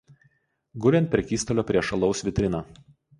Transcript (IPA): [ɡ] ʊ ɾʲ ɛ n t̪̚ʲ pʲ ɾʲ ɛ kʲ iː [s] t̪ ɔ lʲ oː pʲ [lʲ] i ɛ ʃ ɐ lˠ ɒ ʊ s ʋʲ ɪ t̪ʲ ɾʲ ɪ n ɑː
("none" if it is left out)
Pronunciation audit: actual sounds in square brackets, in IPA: ɡ, s, ɾʲ

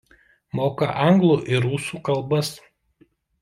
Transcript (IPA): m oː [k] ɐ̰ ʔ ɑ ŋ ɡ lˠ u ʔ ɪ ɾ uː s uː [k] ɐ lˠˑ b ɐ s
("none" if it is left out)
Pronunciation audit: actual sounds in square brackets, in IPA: k, k

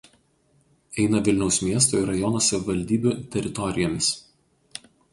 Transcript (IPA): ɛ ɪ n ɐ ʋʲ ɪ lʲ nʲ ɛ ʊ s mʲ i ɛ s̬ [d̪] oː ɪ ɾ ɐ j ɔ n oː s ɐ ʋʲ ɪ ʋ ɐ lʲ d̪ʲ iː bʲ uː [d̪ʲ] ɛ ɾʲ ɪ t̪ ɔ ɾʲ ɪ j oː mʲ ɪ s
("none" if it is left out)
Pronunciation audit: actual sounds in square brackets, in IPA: t̪, t̪ʲ

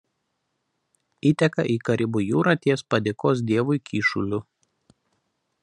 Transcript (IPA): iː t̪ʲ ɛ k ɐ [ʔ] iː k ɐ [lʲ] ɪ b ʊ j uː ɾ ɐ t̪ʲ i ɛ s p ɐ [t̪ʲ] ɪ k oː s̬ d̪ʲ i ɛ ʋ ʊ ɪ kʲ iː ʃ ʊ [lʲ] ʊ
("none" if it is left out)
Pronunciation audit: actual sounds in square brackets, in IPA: ʔ, ɾʲ, d̪ʲ, lʲ

